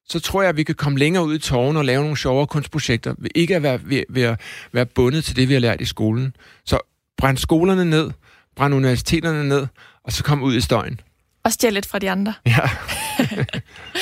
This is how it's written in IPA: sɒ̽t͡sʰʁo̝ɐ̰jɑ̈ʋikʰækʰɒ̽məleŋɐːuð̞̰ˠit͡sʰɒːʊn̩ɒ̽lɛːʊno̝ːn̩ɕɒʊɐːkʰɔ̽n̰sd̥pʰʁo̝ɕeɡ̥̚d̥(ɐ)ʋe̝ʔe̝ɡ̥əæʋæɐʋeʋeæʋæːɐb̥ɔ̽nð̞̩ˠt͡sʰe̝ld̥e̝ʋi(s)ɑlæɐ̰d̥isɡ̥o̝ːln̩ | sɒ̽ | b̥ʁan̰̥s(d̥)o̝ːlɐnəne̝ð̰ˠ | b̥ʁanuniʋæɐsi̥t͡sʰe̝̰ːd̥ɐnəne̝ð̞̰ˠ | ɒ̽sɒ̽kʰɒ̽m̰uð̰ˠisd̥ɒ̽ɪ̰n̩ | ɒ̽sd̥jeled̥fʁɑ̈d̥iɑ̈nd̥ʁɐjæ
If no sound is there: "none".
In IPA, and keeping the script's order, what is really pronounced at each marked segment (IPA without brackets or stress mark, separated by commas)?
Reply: ɐ, h, ɡ̥